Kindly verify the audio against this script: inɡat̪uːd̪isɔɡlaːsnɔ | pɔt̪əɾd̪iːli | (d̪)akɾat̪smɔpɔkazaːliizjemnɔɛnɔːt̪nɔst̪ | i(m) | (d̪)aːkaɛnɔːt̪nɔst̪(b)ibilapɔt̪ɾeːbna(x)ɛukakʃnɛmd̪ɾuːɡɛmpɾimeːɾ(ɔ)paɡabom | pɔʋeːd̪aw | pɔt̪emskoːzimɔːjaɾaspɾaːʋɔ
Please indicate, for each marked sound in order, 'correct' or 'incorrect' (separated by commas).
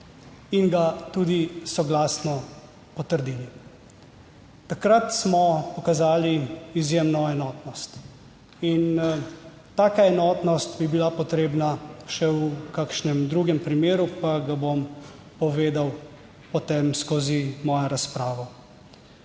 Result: incorrect, incorrect, incorrect, correct, incorrect, incorrect